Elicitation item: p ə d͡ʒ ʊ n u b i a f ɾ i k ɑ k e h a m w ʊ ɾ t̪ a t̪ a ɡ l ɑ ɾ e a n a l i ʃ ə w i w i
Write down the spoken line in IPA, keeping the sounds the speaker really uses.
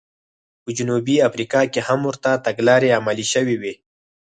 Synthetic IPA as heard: p ə d͡ʒ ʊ n u b i a f ɾ i k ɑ k e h a m w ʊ ɾ t̪ a t̪ a ɡ l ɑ ɾ e a m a l i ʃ ə w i w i